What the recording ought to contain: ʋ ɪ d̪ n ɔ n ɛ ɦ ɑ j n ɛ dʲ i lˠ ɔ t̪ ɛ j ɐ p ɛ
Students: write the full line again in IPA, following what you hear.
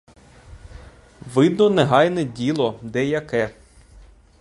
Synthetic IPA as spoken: ʋ ɪ d̪ n ɔ n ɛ ɦ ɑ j n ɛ dʲ i lˠ ɔ d̪ ɛ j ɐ k ɛ